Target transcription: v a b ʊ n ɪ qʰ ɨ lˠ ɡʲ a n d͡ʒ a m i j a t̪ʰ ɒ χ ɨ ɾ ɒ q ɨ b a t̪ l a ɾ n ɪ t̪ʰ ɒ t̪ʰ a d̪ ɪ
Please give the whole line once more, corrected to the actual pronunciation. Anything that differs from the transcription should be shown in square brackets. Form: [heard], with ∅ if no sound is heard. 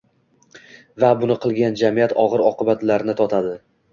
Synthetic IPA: v a b ʊ n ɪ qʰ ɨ lˠ ɡʲ a n d͡ʒ a m i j a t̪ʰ ɒ [ʁ] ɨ ɾ ɒ q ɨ b a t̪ l a ɾ n ɪ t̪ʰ ɒ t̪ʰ a d̪ ɪ